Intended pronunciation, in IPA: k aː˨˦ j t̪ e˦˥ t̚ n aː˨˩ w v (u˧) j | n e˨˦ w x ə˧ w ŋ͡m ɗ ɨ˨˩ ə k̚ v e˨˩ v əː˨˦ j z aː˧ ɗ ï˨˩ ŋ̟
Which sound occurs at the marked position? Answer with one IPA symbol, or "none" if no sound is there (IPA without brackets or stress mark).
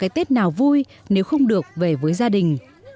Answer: u˧